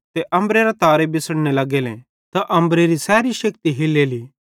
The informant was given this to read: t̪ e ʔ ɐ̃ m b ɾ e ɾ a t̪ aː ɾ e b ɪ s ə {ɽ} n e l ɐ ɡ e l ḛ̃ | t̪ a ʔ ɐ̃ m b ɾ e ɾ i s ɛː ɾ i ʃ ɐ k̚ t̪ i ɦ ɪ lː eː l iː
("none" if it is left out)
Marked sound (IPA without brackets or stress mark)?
ɽ